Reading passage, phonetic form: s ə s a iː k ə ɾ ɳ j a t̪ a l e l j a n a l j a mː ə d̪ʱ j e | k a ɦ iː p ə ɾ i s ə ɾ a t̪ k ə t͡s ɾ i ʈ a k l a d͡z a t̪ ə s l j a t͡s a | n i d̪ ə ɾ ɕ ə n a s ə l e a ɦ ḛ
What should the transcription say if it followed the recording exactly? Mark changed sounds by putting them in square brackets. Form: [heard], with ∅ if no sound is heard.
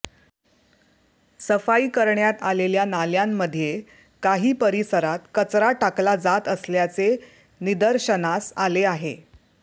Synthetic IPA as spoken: s ə [f] a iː k ə ɾ ɳ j a t̪ a l e l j a n a l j a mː ə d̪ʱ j e | k a ɦ iː p ə ɾ i s ə ɾ a t̪ k ə t͡s ɾ [a] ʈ a k l a d͡z a t̪ ə s l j a t͡s [e] | n i d̪ ə ɾ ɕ ə n a s [a] l e a ɦ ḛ